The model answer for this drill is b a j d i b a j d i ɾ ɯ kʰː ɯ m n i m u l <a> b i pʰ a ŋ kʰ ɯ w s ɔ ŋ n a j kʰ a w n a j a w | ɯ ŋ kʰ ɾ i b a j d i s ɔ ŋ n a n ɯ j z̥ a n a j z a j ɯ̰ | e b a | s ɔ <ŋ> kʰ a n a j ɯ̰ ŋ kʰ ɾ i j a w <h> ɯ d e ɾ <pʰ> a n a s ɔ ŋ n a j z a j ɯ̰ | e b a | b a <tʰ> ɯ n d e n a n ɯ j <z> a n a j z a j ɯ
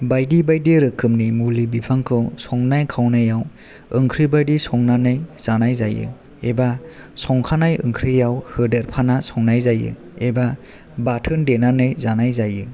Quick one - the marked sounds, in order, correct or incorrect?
incorrect: i, correct, correct, correct, correct, correct

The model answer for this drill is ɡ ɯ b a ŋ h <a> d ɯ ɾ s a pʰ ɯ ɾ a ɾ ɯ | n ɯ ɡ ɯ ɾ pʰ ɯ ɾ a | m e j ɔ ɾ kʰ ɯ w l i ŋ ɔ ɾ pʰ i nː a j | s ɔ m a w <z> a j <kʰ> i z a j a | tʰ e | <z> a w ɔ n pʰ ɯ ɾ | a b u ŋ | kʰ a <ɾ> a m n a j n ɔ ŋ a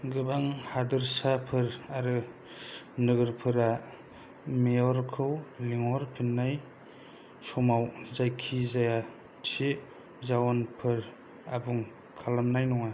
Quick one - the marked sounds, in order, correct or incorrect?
correct, correct, correct, correct, incorrect: l

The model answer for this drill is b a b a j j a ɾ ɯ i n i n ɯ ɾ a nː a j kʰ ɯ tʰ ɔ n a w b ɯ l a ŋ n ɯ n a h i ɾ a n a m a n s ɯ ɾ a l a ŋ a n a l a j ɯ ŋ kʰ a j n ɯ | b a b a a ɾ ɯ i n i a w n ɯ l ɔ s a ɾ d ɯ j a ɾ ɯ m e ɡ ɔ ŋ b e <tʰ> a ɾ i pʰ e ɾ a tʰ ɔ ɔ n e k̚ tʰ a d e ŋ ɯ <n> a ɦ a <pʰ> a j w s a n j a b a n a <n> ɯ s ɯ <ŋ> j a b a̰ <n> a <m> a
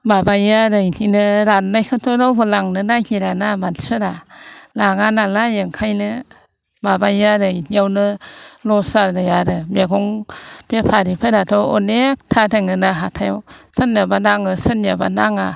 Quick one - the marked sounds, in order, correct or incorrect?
incorrect: pʰ, correct, incorrect: tʰ, incorrect: ŋ, incorrect: n, correct, incorrect: ŋ

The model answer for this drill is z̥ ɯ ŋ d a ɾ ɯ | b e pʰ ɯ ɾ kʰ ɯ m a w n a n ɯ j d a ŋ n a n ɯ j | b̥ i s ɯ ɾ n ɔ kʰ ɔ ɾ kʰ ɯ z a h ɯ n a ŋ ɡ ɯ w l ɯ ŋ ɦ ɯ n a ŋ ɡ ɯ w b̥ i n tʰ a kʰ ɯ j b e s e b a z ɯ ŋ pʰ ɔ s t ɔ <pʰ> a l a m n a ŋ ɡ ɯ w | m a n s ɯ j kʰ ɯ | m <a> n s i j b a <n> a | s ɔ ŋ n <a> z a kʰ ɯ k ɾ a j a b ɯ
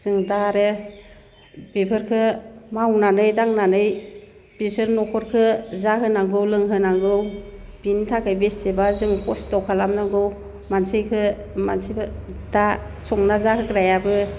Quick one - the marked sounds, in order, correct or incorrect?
incorrect: kʰ, correct, incorrect: d, correct

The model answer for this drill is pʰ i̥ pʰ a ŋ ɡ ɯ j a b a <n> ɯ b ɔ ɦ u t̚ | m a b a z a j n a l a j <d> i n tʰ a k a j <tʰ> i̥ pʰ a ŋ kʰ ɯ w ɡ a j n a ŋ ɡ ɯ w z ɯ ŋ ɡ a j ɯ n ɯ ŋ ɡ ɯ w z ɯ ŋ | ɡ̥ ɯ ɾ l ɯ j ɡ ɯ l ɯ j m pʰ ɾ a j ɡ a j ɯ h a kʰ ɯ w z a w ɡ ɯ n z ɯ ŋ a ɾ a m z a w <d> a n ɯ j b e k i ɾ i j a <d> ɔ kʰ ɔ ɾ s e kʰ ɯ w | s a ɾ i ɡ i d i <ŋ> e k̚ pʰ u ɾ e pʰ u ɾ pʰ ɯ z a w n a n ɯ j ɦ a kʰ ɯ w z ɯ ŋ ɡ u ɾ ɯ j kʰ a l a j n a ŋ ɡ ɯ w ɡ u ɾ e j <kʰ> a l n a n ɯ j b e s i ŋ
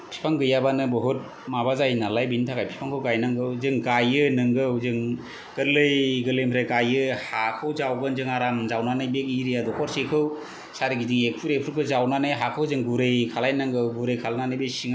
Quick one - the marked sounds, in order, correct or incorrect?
correct, incorrect: b, incorrect: pʰ, incorrect: n, correct, correct, correct

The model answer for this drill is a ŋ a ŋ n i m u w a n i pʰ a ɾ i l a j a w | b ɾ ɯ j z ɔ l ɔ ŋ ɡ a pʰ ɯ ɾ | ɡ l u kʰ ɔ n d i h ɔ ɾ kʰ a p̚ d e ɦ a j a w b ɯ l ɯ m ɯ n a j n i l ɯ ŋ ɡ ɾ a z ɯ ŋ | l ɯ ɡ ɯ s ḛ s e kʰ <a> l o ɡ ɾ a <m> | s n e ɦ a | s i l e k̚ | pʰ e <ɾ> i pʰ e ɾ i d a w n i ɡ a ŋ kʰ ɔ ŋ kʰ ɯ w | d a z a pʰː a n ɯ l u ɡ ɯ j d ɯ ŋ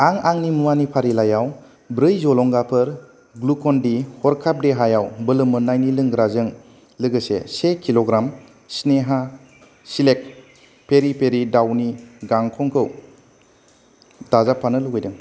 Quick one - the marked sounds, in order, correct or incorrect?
incorrect: i, correct, correct

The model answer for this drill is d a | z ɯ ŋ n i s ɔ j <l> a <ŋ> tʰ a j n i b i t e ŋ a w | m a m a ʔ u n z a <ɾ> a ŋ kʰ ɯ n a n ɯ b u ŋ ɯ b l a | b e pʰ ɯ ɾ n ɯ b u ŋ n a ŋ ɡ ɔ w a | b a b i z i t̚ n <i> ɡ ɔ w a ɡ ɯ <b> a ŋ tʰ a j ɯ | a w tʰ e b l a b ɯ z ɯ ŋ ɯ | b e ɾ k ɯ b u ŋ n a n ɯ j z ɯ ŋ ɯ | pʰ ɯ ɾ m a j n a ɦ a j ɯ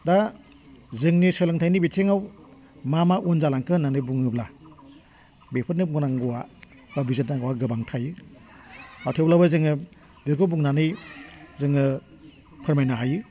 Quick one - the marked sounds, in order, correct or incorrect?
correct, correct, incorrect: l, incorrect: a, correct

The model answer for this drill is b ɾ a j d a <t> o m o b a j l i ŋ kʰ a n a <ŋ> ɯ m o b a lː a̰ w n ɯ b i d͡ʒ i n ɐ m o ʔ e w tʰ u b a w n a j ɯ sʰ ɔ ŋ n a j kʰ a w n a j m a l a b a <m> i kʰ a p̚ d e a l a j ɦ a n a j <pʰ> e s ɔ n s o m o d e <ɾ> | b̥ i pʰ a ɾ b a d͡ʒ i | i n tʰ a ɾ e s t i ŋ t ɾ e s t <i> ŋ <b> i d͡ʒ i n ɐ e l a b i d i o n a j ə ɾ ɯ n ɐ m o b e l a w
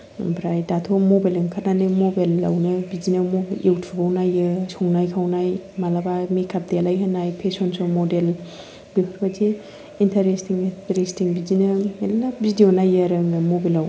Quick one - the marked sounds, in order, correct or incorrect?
incorrect: tʰ, incorrect: n, correct, correct, incorrect: l, correct, correct

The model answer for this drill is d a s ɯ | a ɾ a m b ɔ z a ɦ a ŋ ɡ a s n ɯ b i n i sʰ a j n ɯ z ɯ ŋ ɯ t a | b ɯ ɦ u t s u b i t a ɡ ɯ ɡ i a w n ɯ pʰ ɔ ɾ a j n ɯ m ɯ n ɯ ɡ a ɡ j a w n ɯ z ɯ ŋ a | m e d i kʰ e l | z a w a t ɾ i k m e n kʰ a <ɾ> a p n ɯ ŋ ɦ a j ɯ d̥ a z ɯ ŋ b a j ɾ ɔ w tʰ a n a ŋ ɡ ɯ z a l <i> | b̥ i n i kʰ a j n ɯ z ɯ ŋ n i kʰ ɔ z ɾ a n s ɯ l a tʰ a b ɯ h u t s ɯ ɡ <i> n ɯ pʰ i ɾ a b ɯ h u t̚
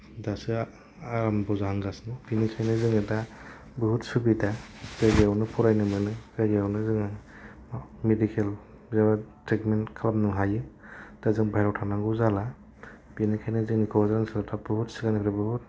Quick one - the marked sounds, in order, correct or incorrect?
incorrect: l, incorrect: a, incorrect: a

